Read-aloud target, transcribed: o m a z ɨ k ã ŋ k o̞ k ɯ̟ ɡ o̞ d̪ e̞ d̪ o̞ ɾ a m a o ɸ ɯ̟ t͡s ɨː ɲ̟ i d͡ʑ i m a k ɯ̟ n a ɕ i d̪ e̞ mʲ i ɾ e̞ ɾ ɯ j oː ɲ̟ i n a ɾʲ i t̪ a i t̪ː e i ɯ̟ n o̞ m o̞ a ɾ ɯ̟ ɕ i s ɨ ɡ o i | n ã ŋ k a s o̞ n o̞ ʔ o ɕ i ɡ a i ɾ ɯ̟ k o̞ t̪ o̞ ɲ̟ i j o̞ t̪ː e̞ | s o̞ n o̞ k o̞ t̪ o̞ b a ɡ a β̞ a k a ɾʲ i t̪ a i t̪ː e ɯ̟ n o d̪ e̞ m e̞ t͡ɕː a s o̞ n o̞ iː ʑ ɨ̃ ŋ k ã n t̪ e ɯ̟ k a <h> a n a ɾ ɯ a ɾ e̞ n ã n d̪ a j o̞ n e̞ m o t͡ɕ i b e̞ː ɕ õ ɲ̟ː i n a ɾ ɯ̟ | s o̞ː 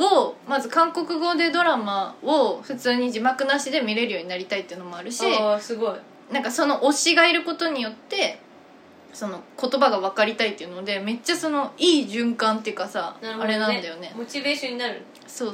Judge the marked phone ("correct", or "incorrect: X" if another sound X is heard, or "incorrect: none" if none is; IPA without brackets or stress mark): incorrect: s